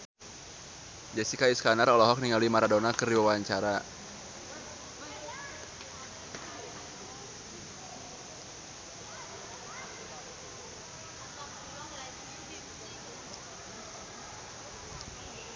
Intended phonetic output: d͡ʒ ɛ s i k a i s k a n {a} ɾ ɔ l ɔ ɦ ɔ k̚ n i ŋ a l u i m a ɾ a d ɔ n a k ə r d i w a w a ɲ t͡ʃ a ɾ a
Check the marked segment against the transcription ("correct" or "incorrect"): correct